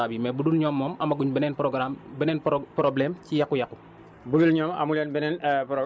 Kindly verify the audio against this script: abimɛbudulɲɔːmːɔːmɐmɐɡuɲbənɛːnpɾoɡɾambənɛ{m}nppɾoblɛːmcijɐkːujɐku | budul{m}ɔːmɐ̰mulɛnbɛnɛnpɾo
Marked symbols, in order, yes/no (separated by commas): no, no